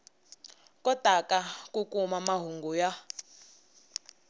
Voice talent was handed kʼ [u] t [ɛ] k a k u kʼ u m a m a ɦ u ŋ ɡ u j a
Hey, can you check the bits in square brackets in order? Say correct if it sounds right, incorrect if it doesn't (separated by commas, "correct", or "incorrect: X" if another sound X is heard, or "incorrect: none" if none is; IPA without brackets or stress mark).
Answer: incorrect: ɔ, incorrect: a